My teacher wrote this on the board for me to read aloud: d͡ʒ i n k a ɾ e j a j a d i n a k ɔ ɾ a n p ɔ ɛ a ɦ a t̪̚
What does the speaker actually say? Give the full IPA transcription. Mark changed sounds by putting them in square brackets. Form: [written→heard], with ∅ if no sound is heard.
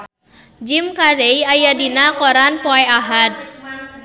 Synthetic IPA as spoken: d͡ʒ i [n→m] k a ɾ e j a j a d i n a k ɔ ɾ a n p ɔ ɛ a ɦ a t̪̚